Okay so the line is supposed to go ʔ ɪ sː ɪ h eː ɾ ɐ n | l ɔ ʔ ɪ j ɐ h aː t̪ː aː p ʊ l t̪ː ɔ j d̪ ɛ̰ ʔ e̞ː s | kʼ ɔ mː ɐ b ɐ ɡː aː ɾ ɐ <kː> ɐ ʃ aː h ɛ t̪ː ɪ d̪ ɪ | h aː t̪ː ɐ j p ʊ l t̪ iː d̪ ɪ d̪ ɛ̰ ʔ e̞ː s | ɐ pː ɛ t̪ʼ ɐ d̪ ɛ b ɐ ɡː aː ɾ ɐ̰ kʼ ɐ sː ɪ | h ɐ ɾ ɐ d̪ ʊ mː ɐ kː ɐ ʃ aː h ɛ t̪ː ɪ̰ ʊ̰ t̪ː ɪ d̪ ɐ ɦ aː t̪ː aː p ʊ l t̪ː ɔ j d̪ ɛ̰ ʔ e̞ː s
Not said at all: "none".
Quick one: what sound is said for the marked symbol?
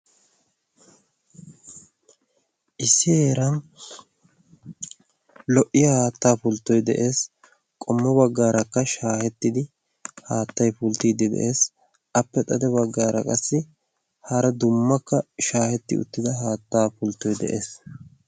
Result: kː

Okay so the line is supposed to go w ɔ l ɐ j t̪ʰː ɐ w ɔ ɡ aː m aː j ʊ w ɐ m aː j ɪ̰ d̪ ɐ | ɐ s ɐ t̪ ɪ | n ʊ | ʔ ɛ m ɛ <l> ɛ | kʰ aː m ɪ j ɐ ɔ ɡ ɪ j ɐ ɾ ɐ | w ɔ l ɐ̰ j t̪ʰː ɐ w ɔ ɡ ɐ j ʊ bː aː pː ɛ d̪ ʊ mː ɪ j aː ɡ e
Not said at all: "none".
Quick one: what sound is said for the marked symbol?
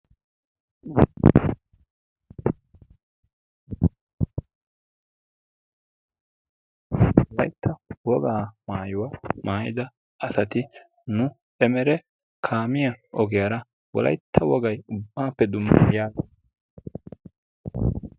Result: ɾ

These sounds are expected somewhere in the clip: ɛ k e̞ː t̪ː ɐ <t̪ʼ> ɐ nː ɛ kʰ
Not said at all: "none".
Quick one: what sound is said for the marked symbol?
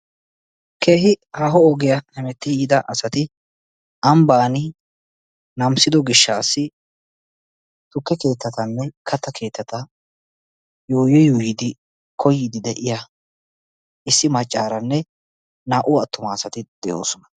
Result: t̪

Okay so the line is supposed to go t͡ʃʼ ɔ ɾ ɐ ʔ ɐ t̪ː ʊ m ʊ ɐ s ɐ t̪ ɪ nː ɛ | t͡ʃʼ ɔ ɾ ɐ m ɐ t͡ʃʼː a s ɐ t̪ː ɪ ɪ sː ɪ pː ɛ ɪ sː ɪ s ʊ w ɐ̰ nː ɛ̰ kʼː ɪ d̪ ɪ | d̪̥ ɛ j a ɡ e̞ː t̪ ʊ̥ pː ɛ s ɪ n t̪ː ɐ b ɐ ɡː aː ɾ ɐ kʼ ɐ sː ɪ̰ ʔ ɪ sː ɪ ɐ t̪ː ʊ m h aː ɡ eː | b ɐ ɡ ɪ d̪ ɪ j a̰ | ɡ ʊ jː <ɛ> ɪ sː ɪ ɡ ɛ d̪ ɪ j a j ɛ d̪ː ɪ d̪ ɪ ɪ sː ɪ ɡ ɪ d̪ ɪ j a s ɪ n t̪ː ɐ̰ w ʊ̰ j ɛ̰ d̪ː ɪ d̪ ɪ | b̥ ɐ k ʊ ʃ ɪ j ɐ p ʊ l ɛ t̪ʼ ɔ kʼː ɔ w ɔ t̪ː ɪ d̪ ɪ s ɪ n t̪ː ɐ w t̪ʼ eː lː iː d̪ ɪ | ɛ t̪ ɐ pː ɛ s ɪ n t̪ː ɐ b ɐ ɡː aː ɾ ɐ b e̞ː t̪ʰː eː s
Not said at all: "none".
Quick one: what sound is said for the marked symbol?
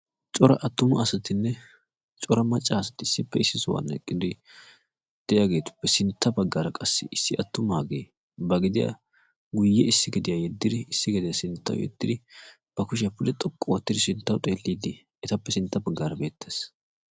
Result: ɛ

